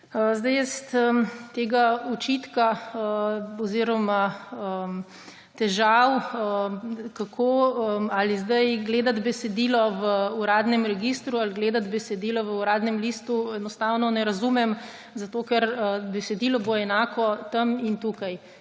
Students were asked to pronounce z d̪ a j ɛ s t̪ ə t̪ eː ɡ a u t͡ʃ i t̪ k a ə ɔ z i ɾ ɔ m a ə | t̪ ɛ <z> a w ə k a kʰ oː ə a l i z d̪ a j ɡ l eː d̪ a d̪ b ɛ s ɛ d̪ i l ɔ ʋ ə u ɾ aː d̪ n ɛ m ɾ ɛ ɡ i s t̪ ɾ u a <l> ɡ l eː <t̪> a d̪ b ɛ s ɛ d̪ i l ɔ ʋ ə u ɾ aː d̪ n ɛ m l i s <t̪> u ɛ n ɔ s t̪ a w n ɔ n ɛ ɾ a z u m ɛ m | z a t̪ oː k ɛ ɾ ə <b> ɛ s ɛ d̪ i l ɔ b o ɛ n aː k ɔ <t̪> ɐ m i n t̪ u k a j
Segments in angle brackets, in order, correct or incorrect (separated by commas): incorrect, correct, incorrect, correct, correct, correct